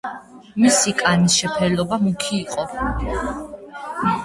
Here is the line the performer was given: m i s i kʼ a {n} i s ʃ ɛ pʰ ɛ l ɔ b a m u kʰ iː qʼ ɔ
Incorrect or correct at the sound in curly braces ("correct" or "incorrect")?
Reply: correct